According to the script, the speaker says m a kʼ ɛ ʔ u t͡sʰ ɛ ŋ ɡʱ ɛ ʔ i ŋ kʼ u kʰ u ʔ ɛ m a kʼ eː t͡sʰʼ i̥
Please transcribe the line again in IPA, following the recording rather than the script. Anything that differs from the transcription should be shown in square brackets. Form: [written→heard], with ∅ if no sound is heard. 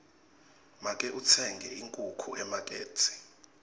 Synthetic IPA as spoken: m a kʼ ɛ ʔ u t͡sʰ ɛ ŋ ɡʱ ɛ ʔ i ŋ kʼ u kʰ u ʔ ɛ m a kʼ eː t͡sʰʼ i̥